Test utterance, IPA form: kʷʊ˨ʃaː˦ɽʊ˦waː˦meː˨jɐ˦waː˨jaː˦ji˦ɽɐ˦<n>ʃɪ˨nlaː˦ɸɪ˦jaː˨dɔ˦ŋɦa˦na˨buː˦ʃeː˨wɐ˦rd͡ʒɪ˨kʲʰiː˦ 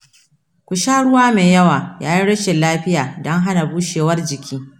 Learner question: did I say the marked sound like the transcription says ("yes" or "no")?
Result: no